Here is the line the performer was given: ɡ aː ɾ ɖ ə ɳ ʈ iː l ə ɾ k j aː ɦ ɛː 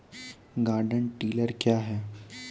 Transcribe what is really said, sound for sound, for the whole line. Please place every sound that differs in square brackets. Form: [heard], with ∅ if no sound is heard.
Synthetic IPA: ɡ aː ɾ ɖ ə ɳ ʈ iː l ə ɾ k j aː ɦ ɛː